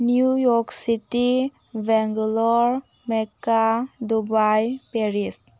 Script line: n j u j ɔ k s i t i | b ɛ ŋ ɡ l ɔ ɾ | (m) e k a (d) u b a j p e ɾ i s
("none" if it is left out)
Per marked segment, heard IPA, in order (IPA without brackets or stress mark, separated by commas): m, d